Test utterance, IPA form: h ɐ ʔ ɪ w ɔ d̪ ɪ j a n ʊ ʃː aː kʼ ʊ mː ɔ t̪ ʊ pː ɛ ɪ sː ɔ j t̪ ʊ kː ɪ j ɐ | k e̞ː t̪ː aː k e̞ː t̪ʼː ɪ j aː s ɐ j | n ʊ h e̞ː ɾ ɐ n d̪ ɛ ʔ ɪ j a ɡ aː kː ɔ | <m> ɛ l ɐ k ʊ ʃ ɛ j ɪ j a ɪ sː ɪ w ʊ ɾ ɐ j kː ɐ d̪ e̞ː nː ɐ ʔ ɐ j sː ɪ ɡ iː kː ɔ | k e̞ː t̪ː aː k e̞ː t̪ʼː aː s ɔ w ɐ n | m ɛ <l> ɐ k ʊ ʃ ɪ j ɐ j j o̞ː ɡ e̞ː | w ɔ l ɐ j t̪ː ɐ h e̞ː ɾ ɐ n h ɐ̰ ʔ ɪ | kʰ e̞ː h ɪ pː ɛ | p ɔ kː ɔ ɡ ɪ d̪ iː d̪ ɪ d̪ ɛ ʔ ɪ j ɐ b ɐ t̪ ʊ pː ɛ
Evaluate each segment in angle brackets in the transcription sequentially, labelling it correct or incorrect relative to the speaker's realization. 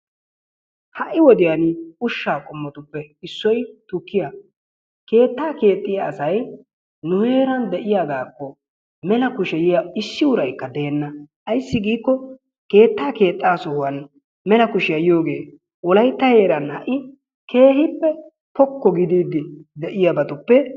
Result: correct, correct

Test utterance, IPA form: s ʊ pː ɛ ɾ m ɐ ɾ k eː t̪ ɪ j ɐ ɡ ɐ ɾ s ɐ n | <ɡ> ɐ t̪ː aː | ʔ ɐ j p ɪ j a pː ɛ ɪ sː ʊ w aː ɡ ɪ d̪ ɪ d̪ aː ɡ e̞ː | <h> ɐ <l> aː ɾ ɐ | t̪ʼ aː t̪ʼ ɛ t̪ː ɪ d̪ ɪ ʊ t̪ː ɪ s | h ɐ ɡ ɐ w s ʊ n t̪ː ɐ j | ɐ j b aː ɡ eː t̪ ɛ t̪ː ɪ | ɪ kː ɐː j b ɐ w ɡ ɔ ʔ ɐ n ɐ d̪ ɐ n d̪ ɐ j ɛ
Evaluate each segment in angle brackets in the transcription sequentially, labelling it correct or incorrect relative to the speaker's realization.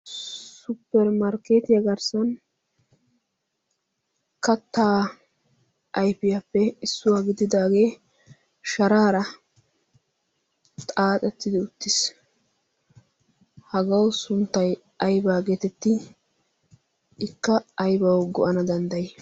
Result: incorrect: k, incorrect: ʃ, incorrect: ɾ

